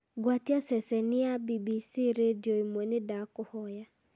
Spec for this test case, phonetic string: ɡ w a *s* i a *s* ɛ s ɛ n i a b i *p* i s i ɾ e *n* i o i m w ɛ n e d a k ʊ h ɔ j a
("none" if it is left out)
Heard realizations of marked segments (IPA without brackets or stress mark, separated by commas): t, s, b, d